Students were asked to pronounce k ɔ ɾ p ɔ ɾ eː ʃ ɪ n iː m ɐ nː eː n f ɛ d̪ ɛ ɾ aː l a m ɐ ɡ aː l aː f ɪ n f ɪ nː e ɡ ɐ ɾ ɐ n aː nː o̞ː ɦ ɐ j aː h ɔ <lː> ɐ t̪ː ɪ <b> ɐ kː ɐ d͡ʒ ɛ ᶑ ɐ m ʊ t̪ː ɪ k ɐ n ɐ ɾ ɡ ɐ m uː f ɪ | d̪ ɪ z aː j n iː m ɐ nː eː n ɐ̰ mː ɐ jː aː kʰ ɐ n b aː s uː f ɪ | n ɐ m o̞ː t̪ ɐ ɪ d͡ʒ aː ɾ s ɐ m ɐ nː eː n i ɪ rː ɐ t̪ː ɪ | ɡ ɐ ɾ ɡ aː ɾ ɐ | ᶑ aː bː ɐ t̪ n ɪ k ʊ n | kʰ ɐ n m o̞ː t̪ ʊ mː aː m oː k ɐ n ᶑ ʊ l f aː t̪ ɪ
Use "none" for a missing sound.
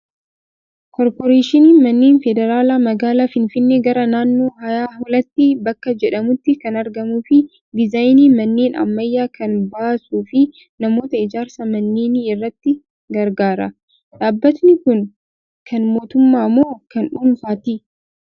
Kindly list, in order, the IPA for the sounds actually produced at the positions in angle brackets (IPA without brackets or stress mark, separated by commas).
l, b